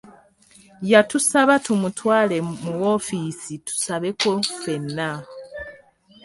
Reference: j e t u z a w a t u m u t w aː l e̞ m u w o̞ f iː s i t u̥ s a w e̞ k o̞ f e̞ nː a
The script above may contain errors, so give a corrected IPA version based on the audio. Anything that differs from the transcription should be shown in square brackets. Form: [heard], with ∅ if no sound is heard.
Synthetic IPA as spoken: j [a] t u [s] a [β] a t u m u t w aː l e̞ m u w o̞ f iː s i t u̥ s a [β] e̞ k o̞ f e̞ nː a